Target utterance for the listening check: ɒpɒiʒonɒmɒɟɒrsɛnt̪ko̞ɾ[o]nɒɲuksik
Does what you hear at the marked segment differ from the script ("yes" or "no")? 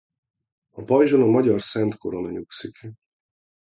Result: no